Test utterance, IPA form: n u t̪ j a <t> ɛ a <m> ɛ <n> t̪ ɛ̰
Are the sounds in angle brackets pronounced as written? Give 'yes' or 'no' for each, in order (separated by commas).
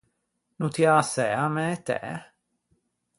no, yes, no